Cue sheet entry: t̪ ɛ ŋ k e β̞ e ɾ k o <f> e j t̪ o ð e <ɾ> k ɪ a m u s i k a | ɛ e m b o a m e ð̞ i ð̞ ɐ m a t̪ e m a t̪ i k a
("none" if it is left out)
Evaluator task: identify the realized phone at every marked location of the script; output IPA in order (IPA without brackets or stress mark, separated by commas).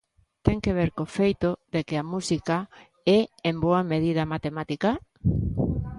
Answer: f, none